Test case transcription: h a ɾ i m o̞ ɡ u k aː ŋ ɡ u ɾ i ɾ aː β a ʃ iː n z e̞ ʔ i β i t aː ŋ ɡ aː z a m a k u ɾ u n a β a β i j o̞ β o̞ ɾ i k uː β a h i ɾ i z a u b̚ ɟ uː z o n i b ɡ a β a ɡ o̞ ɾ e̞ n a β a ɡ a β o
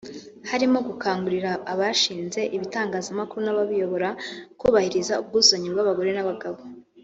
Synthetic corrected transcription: h a ɾ i m o̞ ɡ u k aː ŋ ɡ u ɾ i ɾ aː β a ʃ iː n z e̞ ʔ i β i t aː ŋ ɡ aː z a m a k u ɾ u n a β a β i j o̞ β o̞ ɾ a k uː β a h i ɾ i z a u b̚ ɡ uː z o ɲ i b ɡ a β a ɡ o̞ ɾ e̞ n a β a ɡ a β o

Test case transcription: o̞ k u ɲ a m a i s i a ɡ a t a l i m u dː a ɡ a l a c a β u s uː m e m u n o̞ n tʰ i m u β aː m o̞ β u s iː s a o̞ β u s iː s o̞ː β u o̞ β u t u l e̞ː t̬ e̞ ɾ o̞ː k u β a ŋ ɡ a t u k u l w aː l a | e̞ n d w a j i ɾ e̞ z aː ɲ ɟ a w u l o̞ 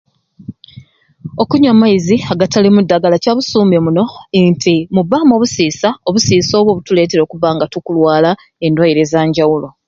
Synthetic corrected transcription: o̞ k u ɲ a m a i z i a ɡ a t a l i m u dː a ɡ a l a c a β u s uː m e m u n o̞ n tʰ i m u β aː m o̞ β u s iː s a o̞ β u s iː s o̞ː β w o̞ β u t u l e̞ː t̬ e̞ ɾ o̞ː k u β a ŋ ɡ a t u k u l w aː l a | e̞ n d w a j i ɾ e̞ z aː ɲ ɟ a w u l o̞

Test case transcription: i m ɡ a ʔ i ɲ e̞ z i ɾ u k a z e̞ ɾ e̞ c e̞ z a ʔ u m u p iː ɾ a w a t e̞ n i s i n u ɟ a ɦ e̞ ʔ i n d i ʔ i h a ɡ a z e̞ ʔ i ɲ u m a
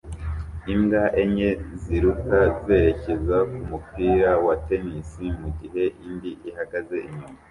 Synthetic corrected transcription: i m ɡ a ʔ e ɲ e̞ z i ɾ u k a z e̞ ɾ e̞ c e̞ z a k u m u p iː ɾ a w a t e̞ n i s i m u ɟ i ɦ e̞ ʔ i n d i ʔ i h a ɡ a z e̞ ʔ i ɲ u m a

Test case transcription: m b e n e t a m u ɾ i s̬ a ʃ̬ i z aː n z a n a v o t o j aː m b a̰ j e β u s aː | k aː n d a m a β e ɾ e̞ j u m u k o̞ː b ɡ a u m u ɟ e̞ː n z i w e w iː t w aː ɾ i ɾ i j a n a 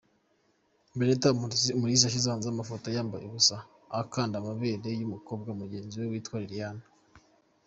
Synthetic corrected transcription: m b e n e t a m u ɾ i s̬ a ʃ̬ i z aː n z a m a f o t o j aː m b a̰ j e β u s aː | k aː n d a m a β e ɾ e̞ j u m u k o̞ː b ɡ a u m u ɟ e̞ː n z i w e w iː t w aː ɾ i ɾ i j a n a

